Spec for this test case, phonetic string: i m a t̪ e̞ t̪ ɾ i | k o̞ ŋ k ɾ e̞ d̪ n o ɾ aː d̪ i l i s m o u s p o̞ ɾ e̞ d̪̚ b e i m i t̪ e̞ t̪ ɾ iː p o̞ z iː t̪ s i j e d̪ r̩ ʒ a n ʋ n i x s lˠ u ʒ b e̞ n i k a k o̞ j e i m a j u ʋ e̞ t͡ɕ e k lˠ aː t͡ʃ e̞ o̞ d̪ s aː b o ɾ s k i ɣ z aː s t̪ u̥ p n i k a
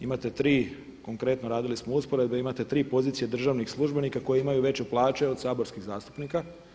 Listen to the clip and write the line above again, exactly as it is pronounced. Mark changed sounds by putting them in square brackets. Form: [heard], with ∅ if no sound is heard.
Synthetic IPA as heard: i m a t̪ e̞ t̪ ɾ [iː] | k o̞ ŋ k ɾ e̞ [t̪] n o ɾ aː d̪ i l i s m o u s p o̞ ɾ e̞ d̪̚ b e i m [a] t̪ e̞ t̪ ɾ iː p o̞ z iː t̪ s i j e d̪ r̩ ʒ a [∅] ʋ n i x s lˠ u ʒ b e̞ n i k a k o̞ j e i m a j u ʋ e̞ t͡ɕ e [p] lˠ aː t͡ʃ e̞ o̞ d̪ s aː b o ɾ s k i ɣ z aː s t̪ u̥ p n i k a